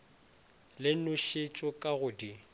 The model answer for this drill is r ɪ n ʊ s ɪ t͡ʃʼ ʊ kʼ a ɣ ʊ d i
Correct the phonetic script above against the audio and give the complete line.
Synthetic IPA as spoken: l ɪ n ʊ ʃ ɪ t͡ʃʼ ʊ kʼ a ɣ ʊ d i

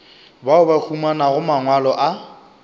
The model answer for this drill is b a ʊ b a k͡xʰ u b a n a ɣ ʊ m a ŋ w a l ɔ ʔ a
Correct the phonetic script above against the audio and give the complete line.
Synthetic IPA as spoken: b a ʊ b a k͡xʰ u m a n a ɣ ʊ m a ŋ w a l ɔ ʔ a

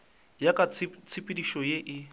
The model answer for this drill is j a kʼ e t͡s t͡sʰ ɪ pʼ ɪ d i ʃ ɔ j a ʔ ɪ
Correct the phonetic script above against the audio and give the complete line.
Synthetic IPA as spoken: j a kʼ a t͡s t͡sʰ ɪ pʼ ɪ d i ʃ ɔ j e ʔ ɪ

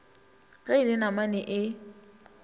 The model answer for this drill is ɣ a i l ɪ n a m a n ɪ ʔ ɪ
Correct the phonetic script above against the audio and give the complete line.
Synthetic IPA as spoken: ɣ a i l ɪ n a m a n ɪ ʔ ɪ

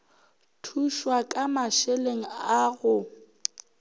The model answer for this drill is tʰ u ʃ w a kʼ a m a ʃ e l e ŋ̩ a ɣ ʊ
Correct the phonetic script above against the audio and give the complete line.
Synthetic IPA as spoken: tʰ u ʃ w a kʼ a m a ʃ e l e ŋ̩ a ɣ ʊ

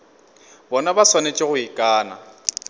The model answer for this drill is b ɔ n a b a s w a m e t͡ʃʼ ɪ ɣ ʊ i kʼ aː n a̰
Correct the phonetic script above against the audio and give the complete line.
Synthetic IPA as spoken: b ɔ n a b a s w a n e t͡ʃʼ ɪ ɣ ʊ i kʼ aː n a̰

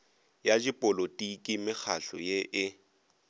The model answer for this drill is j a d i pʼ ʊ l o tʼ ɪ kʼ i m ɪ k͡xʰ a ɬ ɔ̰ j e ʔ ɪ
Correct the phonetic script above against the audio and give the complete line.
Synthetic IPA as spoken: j a d͡ʒ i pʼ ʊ l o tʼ i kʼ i m ɪ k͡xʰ a ɬ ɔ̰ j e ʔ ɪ

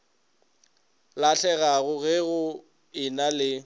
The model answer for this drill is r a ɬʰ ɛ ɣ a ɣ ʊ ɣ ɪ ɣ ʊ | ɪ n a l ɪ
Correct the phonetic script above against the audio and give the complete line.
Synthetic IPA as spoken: l a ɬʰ ɛ ɣ a ɣ ʊ ɣ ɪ ɣ ʊ | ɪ n a l ɪ

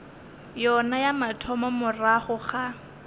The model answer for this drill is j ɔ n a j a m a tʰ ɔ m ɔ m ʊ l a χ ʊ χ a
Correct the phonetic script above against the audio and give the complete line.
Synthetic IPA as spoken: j ɔ n a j a m a tʰ ɔ m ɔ m ʊ r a χ ʊ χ a

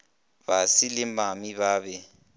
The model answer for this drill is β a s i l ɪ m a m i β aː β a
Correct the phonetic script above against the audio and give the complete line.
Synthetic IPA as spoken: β a s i l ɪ m a m i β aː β ɛ

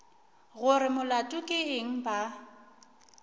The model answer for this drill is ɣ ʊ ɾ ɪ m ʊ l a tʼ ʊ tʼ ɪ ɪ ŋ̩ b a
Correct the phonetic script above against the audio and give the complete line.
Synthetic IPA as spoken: ɣ ʊ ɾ ɪ m ʊ l a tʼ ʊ kʼ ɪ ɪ ŋ̩ b a

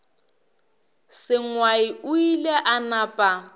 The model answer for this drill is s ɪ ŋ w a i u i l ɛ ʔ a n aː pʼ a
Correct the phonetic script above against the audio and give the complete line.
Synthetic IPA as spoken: s ɪ ŋ w a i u i l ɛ ʔ a n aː pʼ a

